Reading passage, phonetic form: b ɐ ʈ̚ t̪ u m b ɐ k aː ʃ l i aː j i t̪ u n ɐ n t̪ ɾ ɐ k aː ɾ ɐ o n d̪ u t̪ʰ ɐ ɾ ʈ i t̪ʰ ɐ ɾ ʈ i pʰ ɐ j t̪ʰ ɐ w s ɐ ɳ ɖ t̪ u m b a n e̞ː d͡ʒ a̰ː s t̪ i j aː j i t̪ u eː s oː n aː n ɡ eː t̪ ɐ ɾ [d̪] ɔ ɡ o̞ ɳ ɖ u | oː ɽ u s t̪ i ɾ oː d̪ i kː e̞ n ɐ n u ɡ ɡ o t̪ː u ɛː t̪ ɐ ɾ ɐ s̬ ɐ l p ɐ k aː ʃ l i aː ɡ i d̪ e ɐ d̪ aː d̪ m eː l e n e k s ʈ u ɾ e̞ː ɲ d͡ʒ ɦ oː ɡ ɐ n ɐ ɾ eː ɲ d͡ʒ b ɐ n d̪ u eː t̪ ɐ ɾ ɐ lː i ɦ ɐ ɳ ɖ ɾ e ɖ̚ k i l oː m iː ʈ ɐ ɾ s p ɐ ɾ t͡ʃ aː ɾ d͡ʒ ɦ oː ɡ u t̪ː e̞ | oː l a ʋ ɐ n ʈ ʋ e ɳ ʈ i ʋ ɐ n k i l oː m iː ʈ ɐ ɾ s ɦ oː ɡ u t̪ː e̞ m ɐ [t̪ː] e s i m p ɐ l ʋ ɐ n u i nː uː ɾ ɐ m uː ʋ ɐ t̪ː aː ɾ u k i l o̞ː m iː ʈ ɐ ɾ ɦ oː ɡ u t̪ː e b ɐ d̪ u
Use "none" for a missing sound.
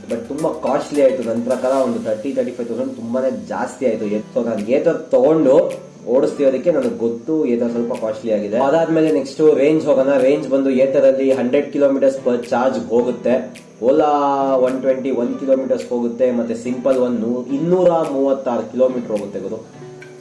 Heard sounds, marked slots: t̪, t̪ː

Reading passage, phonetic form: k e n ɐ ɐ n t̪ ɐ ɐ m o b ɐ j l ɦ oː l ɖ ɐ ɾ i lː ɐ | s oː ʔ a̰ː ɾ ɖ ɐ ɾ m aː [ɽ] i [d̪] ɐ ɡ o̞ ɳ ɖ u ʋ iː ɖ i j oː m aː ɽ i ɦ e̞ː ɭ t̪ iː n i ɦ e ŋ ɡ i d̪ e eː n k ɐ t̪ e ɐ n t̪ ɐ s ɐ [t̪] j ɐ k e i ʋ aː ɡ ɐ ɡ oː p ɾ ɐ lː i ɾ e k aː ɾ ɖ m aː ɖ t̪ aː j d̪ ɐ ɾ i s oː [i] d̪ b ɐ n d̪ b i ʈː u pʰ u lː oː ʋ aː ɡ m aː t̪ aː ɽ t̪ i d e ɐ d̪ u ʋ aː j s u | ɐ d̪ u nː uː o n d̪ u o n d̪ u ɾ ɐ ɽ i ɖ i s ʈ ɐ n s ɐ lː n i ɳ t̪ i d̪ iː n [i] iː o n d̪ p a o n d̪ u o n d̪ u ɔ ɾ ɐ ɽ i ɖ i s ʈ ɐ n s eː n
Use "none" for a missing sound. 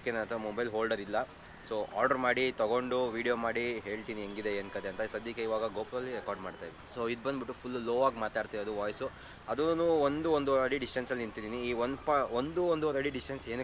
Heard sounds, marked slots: ɽ, t̪, d̪, i, i

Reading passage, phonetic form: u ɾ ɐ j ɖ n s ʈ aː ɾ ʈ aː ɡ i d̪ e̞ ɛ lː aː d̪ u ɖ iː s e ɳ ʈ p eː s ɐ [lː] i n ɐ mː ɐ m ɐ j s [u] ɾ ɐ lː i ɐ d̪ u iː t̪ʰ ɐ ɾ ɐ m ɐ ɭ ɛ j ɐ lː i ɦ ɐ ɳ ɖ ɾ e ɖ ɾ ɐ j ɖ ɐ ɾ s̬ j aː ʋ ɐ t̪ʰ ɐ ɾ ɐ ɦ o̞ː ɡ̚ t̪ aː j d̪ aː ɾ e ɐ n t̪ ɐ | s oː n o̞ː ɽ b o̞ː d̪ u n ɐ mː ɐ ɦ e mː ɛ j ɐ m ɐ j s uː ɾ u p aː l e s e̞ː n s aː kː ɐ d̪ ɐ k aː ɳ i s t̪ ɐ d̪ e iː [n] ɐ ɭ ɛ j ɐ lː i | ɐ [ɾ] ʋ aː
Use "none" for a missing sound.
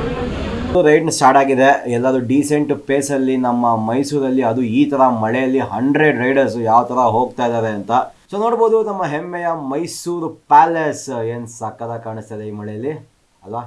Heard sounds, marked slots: lː, uː, m, l

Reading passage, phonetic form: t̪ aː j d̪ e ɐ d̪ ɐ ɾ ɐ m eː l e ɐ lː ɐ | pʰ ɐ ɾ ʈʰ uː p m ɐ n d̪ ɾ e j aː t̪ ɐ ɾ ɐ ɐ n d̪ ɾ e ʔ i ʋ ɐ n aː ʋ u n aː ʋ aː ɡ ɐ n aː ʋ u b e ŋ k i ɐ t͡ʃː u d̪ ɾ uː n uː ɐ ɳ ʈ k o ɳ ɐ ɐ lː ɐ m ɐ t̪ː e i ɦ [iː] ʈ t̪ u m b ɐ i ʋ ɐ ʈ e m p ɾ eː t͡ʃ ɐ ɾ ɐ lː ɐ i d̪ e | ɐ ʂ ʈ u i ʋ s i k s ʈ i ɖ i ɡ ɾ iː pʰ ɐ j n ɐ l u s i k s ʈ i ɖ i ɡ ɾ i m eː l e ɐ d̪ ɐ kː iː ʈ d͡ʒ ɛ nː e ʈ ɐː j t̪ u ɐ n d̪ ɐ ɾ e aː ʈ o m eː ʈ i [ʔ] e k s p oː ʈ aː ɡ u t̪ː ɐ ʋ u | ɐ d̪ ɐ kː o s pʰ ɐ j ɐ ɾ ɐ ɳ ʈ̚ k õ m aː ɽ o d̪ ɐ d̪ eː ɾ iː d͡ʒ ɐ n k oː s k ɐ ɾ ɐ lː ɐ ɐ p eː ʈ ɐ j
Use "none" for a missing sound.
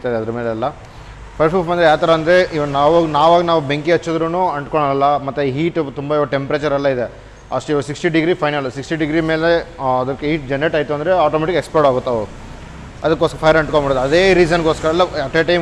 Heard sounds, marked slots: iː, k

